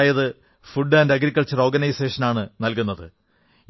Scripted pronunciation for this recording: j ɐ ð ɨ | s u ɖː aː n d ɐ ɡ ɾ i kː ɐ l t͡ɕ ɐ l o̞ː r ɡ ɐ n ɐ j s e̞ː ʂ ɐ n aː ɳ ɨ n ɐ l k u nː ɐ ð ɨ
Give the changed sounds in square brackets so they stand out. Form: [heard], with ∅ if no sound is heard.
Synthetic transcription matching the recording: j ɐ ð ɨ | [f] u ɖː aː n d ɐ ɡ ɾ i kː ɐ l t͡ɕ ɐ [r] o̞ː r ɡ ɐ n ɐ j s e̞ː ʂ ɐ n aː ɳ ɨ n ɐ l k u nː ɐ ð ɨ